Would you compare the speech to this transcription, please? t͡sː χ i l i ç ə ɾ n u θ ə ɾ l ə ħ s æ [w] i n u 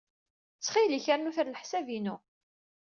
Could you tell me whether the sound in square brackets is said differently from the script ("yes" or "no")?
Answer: yes